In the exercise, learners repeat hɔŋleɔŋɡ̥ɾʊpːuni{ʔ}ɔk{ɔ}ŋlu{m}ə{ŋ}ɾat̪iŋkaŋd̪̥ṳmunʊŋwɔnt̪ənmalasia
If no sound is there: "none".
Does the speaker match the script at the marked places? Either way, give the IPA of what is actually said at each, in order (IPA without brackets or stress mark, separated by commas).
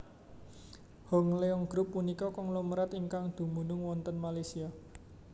k, ɔ, m, none